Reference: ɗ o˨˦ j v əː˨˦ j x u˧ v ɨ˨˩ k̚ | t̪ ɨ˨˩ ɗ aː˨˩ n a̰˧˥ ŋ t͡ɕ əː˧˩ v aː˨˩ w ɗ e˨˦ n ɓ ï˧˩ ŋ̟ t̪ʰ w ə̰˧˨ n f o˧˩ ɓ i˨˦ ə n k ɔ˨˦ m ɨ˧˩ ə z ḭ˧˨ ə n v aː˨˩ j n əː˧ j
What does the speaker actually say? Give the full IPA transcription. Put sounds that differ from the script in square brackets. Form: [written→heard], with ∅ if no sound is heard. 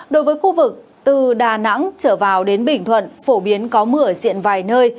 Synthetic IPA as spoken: ɗ o˨˦ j v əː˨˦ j x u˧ v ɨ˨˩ k̚ | t̪ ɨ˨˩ ɗ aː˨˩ n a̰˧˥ ŋ t͡ɕ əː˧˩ v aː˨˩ w ɗ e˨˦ n ɓ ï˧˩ ŋ̟ t̪ʰ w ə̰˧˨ n f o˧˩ ɓ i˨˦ ə n k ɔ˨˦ m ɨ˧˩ ə z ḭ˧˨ ə n v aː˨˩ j n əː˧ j